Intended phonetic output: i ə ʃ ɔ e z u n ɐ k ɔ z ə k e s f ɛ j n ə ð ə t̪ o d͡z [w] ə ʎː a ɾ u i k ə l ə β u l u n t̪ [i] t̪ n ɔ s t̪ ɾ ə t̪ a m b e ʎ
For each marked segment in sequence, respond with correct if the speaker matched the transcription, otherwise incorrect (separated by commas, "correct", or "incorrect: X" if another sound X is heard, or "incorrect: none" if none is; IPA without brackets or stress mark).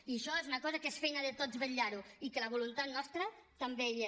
incorrect: β, incorrect: a